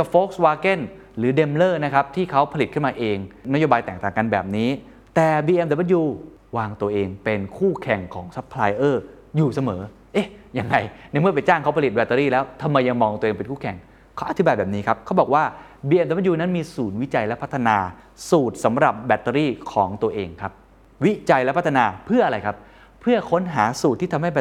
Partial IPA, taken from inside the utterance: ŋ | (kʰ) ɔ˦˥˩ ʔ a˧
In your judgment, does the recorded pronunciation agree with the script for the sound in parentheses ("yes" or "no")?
yes